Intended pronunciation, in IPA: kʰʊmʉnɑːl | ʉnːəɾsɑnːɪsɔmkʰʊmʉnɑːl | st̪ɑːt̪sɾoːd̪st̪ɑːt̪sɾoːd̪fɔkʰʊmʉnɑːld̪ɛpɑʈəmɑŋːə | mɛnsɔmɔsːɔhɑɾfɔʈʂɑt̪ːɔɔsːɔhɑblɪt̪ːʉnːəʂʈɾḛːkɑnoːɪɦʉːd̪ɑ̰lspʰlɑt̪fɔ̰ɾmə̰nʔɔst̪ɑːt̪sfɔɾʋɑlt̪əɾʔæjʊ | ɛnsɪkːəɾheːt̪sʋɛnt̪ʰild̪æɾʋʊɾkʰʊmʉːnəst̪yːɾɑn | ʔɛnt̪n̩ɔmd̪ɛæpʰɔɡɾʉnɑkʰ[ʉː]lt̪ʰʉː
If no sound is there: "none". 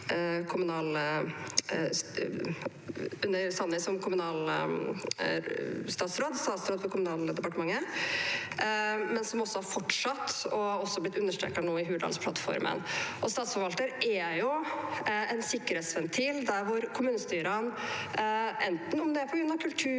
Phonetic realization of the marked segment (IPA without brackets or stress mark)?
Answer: ʉ